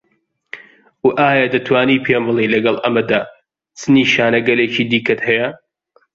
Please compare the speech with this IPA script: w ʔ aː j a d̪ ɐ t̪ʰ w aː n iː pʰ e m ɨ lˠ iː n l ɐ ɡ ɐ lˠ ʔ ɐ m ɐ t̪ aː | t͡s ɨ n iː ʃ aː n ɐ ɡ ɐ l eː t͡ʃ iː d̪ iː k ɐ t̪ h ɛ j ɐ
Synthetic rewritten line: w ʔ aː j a d̪ ɐ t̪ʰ w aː n iː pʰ e m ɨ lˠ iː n l ɐ ɡ ɐ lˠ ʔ ɐ m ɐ d̪ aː | t͡s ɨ n iː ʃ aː n ɐ ɡ ɐ l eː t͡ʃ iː d̪ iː k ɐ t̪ h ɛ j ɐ